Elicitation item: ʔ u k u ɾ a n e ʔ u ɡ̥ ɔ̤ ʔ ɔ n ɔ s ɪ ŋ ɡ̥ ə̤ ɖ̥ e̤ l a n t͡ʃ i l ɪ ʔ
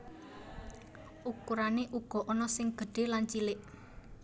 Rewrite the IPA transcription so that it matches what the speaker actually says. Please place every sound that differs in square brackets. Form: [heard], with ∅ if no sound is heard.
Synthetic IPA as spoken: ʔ u k u ɾ a n e ʔ u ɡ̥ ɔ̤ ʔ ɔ n ɔ s ɪ ŋ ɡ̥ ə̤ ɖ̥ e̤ l a n t͡ʃ i l ɪ ʔ